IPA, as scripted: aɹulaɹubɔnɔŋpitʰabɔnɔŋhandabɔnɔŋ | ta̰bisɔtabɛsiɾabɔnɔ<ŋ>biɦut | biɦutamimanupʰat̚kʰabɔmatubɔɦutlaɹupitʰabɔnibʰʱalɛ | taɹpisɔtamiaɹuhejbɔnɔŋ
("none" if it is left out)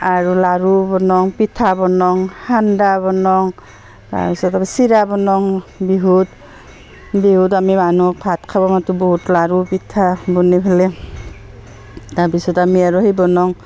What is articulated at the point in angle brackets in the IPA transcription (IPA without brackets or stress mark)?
ŋ